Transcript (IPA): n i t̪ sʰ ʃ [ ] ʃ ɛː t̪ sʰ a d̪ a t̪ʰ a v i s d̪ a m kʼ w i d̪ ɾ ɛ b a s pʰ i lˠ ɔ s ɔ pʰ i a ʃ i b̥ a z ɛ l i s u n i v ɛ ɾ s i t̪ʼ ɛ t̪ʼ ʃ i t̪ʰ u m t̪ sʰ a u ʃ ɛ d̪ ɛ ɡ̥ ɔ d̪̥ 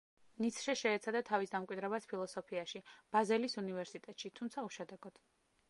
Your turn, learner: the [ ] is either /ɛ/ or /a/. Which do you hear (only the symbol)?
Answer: ɛ